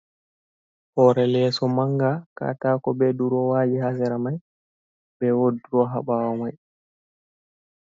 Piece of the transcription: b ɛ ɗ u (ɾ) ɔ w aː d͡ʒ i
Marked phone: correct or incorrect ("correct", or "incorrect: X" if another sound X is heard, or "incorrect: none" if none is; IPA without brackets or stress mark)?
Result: correct